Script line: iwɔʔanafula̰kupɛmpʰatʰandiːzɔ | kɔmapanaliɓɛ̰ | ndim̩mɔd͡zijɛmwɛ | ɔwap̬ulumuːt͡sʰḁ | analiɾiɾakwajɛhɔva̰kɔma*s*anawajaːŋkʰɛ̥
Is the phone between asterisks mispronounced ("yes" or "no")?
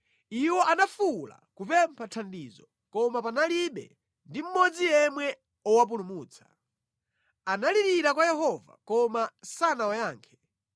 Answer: no